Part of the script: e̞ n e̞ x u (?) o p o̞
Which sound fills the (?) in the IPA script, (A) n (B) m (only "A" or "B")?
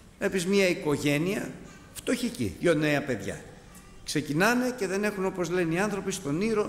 A